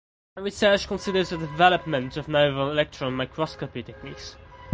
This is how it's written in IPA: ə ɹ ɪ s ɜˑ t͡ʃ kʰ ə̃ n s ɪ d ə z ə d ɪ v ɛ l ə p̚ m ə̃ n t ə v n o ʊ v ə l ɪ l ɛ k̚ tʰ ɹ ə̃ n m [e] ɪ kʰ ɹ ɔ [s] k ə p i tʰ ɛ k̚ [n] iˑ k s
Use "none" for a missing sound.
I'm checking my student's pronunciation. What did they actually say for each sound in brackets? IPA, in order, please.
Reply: a, s, n

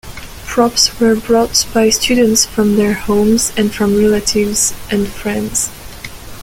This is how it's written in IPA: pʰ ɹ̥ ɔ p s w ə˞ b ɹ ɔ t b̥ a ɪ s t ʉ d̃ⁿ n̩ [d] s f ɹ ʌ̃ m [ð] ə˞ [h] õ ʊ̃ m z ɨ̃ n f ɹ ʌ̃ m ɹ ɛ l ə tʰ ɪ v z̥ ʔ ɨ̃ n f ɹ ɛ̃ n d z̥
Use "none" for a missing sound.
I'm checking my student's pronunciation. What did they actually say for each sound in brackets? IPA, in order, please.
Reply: t, ð, h

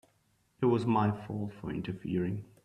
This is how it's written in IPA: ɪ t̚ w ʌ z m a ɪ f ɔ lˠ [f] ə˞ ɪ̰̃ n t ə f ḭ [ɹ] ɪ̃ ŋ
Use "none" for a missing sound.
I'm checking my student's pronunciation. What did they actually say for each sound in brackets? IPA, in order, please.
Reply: f, ɹ

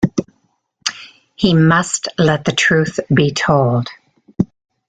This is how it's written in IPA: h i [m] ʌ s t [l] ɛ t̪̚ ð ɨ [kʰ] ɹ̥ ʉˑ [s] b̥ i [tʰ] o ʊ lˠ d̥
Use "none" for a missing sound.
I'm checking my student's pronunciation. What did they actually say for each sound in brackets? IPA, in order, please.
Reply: m, l, tʰ, θ, tʰ

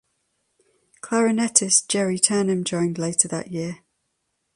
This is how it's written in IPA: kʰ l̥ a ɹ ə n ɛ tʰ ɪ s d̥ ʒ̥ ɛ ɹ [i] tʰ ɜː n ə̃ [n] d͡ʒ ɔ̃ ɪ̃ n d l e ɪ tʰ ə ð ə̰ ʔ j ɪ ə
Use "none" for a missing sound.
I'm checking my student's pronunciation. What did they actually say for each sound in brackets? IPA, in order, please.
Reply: i, m

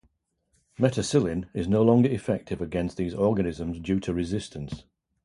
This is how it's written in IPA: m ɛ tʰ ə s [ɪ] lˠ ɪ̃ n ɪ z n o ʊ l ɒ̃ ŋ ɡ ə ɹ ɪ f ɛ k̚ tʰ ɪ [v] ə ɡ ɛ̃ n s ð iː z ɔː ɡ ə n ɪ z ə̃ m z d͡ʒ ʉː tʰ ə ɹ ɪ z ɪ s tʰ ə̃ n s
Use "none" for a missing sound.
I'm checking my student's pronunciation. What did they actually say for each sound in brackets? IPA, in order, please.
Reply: ɪ, v

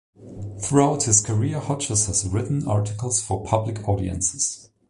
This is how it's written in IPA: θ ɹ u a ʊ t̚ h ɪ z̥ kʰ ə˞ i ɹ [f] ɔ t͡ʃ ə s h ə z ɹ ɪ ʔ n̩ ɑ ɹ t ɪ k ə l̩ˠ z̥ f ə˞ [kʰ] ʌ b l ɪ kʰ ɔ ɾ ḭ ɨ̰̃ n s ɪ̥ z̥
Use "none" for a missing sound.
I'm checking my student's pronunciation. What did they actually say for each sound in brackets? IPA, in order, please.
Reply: h, pʰ

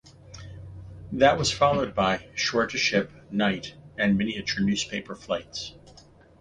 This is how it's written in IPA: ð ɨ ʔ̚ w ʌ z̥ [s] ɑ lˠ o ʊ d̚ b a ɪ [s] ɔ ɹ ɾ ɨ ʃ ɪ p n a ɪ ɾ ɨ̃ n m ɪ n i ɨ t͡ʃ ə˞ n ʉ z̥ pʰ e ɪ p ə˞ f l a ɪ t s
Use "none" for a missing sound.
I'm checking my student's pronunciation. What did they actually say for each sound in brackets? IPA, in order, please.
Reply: f, ʃ

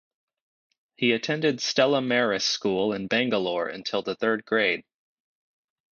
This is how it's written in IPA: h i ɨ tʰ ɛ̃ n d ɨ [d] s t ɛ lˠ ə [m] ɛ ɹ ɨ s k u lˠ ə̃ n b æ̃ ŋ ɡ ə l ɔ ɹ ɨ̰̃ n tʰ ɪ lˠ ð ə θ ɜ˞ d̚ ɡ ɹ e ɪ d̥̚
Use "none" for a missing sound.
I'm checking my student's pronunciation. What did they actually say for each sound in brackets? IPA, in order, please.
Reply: d, m

